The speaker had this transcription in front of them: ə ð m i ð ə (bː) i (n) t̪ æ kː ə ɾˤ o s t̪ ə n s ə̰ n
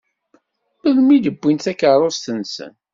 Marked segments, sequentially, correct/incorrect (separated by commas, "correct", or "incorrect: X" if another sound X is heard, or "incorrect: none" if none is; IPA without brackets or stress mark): correct, correct